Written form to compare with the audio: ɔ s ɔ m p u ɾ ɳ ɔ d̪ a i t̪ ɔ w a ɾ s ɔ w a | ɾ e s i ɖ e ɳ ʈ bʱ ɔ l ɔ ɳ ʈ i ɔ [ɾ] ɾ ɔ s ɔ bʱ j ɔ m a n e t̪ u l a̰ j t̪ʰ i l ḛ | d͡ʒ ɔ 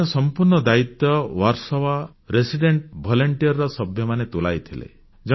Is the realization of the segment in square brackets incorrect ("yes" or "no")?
no